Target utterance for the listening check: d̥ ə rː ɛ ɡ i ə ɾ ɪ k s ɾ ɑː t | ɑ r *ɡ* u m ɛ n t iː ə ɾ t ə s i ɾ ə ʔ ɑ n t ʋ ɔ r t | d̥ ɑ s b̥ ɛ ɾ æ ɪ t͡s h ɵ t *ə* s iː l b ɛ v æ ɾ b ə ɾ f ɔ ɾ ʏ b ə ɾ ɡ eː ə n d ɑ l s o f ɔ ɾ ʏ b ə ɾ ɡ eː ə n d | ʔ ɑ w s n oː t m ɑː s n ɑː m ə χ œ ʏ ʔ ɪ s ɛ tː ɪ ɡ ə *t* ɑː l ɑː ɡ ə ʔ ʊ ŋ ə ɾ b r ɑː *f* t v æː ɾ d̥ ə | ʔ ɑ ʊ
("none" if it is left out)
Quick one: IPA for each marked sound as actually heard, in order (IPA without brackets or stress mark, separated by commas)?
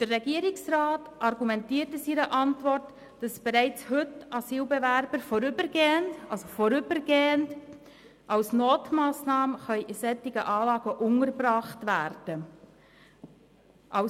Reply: ɡ, ɑ, ʔ, χ